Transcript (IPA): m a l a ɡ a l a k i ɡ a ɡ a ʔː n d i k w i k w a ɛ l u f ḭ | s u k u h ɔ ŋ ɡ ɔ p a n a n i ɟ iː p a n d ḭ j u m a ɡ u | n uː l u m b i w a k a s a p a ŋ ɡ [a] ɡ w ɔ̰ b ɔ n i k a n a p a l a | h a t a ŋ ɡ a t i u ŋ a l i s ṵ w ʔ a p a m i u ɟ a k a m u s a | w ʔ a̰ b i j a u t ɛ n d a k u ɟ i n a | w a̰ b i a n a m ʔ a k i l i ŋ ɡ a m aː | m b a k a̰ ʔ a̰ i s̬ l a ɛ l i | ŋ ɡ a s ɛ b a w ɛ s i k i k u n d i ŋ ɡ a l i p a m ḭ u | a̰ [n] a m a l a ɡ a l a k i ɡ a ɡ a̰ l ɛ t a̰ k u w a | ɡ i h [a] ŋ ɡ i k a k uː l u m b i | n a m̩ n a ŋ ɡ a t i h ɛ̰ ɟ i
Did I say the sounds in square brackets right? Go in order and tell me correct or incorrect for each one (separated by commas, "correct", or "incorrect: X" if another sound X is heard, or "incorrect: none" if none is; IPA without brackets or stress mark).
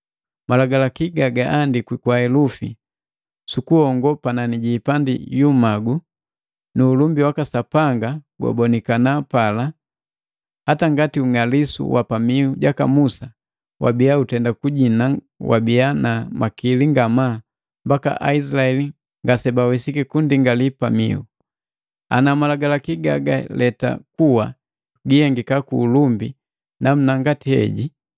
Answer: correct, correct, incorrect: ɛ